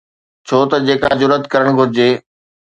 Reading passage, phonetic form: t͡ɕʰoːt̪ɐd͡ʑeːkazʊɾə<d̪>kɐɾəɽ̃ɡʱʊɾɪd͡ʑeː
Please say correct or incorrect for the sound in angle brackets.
incorrect